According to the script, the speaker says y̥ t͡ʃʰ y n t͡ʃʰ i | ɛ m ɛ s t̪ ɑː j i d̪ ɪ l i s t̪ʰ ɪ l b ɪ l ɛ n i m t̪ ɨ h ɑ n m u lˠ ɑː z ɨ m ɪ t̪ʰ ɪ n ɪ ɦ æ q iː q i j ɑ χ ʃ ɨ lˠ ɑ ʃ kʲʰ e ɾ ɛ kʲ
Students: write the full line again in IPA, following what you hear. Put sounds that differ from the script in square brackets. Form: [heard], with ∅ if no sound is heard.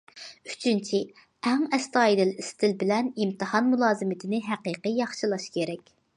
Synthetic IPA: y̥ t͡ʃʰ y n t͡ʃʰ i | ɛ [ŋ] ɛ s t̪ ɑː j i d̪ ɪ l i s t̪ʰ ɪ l b ɪ l ɛ n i m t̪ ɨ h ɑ n m u lˠ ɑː z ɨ m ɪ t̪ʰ ɪ n ɪ ɦ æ q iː q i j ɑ χ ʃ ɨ lˠ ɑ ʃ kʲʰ e ɾ ɛ kʲ